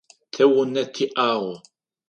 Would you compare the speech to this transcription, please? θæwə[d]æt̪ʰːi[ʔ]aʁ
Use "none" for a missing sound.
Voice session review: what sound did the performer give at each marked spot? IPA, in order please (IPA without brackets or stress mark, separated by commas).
n, ʔ